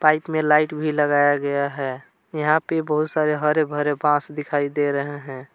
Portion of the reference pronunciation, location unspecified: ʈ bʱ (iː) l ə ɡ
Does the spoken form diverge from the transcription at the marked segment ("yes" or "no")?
yes